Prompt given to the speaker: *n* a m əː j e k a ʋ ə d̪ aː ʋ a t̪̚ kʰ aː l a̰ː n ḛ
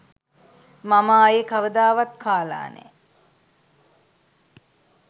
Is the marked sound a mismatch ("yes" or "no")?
yes